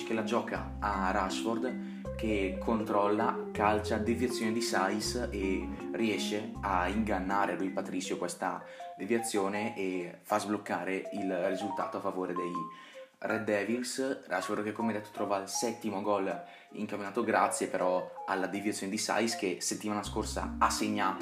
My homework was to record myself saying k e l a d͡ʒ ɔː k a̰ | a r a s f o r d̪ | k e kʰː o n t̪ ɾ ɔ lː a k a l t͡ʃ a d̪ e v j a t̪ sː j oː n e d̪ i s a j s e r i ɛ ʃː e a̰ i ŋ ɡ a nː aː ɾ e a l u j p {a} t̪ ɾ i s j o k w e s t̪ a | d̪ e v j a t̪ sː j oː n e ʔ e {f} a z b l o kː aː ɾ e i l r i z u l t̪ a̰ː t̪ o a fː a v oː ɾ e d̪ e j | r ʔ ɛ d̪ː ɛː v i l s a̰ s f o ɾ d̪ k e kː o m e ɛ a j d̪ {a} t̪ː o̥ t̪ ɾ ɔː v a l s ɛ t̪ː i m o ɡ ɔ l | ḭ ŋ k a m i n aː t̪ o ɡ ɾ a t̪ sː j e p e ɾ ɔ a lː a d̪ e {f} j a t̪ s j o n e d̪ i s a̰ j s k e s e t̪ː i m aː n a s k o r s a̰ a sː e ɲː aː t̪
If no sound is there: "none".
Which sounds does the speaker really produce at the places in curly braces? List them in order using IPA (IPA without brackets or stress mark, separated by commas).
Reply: a, f, ɛ, v